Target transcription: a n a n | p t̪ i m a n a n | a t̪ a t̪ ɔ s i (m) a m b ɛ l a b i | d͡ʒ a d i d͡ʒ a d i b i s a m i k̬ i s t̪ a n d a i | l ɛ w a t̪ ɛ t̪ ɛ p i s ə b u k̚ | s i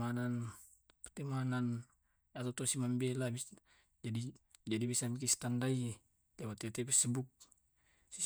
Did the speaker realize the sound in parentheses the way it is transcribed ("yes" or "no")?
yes